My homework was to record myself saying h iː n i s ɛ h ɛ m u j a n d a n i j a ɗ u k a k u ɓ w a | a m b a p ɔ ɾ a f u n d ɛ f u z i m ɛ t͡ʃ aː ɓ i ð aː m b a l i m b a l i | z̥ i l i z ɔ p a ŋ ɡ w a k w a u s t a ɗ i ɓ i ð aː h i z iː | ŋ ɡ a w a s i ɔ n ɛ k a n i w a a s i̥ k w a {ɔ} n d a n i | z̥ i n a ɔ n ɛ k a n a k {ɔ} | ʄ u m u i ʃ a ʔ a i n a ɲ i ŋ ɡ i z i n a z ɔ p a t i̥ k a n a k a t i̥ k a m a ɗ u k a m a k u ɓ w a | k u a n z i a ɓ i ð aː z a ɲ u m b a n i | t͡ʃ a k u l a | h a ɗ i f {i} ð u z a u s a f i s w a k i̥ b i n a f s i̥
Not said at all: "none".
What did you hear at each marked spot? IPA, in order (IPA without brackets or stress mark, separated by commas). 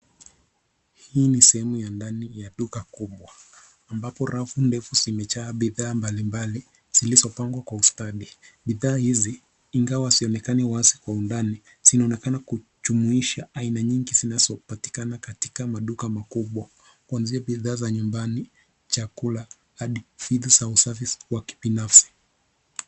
u, u, i